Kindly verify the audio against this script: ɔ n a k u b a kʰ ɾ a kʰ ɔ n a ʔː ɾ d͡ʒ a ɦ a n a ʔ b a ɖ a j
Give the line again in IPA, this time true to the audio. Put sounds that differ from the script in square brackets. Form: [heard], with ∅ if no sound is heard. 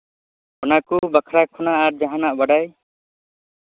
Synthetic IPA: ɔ n a k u b a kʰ ɾ a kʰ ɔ n a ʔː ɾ d͡ʒ a ɦ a n a ʔ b a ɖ a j